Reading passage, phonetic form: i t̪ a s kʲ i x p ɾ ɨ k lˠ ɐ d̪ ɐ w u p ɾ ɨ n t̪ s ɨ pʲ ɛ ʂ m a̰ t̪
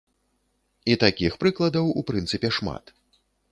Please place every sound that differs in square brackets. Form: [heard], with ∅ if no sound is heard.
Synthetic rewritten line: i t̪ a [∅] kʲ i x p ɾ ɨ k lˠ ɐ d̪ ɐ w u p ɾ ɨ n t̪ s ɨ pʲ ɛ ʂ m a̰ t̪